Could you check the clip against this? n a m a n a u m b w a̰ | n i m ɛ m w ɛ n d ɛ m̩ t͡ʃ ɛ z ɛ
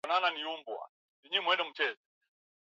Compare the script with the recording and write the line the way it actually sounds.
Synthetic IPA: n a n a n i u m b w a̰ | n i ɲ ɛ m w ɛ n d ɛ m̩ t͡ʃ ɛ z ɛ